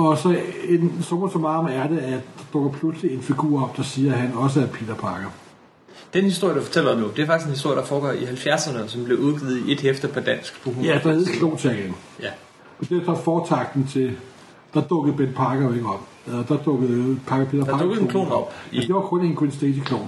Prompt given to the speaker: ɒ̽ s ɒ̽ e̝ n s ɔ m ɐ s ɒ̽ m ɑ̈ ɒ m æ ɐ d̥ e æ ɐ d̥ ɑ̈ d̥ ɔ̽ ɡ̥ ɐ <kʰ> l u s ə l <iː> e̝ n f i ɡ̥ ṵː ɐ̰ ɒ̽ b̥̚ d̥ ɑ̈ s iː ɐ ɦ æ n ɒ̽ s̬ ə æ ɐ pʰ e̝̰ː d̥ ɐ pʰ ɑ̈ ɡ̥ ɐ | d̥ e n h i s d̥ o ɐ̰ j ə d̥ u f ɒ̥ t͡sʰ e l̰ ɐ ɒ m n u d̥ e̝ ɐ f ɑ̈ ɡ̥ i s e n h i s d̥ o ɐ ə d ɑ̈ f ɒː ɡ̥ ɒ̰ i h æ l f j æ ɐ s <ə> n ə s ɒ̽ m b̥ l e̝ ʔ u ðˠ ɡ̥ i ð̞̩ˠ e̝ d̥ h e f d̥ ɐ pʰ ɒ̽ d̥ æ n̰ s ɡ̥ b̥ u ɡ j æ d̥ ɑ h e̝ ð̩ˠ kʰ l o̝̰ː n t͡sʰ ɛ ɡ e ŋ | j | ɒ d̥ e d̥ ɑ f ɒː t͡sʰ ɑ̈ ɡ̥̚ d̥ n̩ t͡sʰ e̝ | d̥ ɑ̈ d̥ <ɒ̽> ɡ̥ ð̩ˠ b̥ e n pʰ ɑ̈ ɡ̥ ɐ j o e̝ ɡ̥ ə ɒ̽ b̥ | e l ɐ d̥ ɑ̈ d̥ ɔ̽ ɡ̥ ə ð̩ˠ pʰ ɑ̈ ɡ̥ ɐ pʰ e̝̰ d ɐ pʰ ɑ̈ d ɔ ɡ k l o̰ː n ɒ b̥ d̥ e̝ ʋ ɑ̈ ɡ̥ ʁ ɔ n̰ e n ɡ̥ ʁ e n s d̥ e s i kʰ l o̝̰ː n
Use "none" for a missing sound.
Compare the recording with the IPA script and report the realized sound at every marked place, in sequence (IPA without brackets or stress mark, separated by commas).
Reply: pʰ, i, ɐ, ɔ̽